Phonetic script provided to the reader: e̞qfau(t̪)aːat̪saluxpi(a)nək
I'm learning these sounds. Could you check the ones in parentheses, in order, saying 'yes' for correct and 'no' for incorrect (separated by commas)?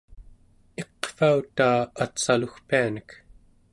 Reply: yes, yes